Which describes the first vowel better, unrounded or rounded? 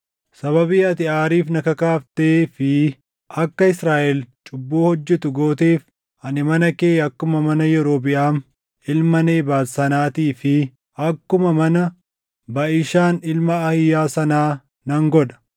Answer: unrounded